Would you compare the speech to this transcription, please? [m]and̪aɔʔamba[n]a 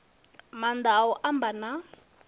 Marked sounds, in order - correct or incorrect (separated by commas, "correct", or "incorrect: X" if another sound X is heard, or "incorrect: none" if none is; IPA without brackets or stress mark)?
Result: correct, correct